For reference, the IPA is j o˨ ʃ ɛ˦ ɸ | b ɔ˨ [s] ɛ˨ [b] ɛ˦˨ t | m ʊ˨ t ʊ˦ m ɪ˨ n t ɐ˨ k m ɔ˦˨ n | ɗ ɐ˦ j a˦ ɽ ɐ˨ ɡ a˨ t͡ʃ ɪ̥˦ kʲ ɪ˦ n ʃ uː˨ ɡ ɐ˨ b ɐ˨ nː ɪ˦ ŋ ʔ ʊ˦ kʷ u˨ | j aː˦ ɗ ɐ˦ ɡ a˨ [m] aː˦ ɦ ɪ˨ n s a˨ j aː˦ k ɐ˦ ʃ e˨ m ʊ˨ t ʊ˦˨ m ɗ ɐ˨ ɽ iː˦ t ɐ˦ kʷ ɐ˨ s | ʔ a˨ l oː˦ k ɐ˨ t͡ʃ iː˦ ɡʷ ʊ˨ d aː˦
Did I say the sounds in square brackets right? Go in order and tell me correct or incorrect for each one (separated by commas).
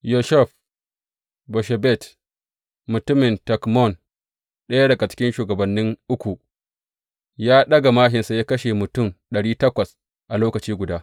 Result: incorrect, correct, correct